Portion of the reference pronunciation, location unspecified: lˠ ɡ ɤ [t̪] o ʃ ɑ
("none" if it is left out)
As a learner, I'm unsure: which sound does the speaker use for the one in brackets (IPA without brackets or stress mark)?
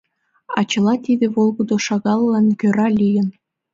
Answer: d̪